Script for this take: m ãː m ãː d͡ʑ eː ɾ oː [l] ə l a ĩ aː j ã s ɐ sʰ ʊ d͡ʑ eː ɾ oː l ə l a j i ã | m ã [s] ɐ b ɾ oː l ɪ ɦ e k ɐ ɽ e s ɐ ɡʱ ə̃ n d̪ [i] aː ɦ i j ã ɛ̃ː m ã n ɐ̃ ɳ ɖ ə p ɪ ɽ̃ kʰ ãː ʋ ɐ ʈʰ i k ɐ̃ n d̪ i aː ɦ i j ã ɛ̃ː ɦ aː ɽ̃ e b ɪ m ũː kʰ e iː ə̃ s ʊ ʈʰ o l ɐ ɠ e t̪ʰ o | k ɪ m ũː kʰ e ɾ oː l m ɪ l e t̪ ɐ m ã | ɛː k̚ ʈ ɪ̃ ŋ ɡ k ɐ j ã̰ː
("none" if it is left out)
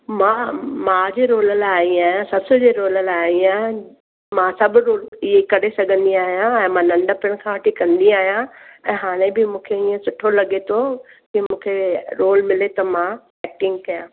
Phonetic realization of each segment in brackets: l, s, i

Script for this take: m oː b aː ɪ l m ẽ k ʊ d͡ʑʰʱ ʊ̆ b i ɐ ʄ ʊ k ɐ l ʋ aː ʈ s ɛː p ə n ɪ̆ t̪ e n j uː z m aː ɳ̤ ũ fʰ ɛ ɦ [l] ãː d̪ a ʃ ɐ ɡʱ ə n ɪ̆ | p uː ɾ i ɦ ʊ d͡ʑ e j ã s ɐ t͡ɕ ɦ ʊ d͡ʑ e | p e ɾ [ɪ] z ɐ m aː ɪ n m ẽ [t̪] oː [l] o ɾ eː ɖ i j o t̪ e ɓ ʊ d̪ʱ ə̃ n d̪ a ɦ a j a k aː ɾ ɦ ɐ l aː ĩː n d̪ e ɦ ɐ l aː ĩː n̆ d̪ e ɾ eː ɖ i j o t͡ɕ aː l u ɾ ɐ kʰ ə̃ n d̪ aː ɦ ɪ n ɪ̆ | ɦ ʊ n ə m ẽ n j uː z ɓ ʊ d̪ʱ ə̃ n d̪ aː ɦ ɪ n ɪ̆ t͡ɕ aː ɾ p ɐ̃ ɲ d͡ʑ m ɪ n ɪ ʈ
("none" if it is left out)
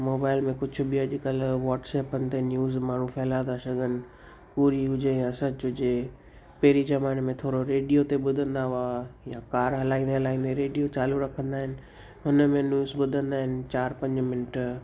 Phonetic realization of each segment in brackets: l, i, t̪ʰ, ɾ

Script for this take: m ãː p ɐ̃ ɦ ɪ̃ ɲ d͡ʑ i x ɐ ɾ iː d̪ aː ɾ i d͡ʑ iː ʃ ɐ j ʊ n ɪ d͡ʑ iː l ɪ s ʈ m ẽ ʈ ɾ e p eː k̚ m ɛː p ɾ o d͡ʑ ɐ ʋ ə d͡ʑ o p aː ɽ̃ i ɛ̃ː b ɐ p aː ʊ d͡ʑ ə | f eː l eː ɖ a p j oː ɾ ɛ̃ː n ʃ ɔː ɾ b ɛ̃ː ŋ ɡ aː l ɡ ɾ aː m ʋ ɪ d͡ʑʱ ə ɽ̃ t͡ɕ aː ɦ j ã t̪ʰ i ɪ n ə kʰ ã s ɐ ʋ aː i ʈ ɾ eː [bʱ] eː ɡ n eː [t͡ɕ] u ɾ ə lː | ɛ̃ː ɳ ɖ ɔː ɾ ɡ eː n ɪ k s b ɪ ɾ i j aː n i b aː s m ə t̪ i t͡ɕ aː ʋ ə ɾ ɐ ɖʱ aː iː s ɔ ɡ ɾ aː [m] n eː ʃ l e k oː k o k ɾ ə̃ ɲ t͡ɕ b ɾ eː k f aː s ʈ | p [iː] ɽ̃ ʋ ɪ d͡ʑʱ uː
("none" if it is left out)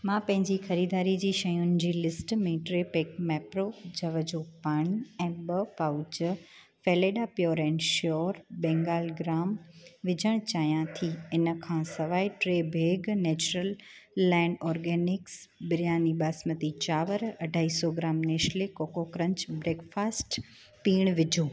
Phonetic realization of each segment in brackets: bʱ, t͡ɕ, m, iː

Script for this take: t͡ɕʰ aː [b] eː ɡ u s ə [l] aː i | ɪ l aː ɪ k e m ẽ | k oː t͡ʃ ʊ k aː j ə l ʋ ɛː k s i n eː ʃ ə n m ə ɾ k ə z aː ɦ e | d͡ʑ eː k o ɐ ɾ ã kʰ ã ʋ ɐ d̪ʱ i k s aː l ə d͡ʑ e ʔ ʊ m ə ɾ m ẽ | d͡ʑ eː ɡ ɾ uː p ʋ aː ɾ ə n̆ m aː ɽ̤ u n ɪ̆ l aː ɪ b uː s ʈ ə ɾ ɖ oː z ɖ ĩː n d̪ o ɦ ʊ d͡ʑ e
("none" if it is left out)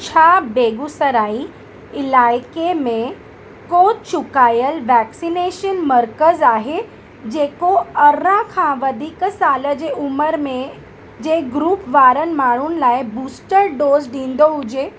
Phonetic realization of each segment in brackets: b, ɾ

